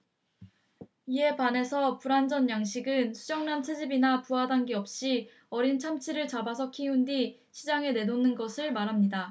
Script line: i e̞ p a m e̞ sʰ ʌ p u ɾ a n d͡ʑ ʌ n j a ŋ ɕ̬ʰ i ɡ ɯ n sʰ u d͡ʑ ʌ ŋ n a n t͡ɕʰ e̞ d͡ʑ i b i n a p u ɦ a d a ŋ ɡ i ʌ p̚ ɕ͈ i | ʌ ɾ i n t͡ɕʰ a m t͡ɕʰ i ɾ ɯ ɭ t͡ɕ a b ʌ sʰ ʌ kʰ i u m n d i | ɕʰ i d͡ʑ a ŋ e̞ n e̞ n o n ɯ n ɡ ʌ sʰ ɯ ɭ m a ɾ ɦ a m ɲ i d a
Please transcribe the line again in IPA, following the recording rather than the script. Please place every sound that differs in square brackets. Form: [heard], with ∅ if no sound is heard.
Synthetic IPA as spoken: i e̞ p a [n] e̞ sʰ ʌ p u ɾ a n d͡ʑ ʌ n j a ŋ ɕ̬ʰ i ɡ ɯ n sʰ u d͡ʑ ʌ ŋ n a n t͡ɕʰ e̞ d͡ʑ i b i n a p u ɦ a d a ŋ ɡ i ʌ p̚ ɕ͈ i | ʌ ɾ i n t͡ɕʰ a m t͡ɕʰ i ɾ ɯ ɭ t͡ɕ a b [a] sʰ ʌ kʰ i u [∅] n d i | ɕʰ i d͡ʑ a ŋ e̞ n e̞ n o n ɯ n ɡ ʌ sʰ ɯ ɭ m a ɾ ɦ a m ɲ i d a